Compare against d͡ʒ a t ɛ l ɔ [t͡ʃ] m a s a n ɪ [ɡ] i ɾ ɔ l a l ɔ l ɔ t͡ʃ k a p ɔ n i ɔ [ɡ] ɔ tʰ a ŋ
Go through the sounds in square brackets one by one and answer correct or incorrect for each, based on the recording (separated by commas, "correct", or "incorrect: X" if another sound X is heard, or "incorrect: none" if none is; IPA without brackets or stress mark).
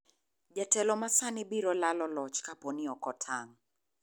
incorrect: none, incorrect: b, incorrect: k